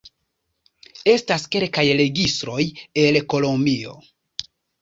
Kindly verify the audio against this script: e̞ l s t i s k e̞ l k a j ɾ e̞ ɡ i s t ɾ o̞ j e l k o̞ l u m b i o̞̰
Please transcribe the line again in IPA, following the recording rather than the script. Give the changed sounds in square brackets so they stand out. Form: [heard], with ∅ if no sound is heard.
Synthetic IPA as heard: e̞ [∅] s t [a] s k e̞ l k a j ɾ e̞ ɡ i s t ɾ o̞ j e l k o̞ l [o] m b i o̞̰